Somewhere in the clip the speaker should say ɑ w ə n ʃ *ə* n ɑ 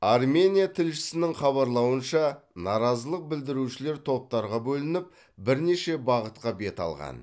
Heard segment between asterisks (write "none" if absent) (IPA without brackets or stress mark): ɑ